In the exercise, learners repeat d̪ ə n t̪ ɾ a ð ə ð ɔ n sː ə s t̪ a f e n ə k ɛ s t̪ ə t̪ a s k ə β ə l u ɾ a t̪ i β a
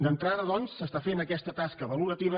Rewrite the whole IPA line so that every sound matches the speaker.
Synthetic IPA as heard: d̪ ə n t̪ ɾ a ð ə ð ɔ n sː ə s t̪ a f e n ə k ɛ s t̪ ə t̪ a s k ə β ə l u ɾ ə t̪ i β ə